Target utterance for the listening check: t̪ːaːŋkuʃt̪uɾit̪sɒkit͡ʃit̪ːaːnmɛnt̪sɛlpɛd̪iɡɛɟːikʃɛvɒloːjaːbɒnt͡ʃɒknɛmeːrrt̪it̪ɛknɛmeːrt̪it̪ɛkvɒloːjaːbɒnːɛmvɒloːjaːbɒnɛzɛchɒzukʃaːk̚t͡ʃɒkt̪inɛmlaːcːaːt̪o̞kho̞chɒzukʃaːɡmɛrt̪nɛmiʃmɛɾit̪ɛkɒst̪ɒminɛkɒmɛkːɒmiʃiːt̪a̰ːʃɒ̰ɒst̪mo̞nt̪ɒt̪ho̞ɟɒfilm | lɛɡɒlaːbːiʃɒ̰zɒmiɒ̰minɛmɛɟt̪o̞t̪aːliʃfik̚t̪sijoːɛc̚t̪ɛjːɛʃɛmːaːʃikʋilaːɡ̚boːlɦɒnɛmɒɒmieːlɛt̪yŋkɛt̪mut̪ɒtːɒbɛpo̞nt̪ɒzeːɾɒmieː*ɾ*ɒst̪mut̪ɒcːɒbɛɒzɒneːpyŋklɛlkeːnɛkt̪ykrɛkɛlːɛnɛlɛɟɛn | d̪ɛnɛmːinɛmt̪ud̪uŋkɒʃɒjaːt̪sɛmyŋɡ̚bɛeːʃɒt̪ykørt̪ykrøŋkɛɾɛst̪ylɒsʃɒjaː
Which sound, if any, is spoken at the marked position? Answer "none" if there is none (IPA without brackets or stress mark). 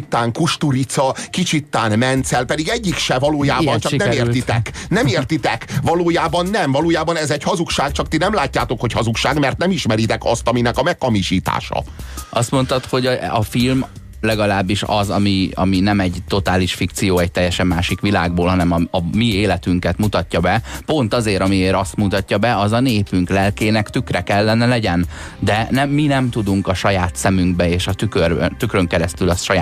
ɾ